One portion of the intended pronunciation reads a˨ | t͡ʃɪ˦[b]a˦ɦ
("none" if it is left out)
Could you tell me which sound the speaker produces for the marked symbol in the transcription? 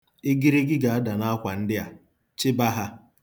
b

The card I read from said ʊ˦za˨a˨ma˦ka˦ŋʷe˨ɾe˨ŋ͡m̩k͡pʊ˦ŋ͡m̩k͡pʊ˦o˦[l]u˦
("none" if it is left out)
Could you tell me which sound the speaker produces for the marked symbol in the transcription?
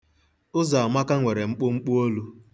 l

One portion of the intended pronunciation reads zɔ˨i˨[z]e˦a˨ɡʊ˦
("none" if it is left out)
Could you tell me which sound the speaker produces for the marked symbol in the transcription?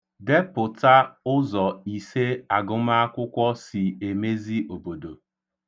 s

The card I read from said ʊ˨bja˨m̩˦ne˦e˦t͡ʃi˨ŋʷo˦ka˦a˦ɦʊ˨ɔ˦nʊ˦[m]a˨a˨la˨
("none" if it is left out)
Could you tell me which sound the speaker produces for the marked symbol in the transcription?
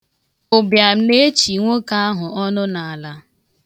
n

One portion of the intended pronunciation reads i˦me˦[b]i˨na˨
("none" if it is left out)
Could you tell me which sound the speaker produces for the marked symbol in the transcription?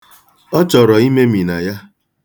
m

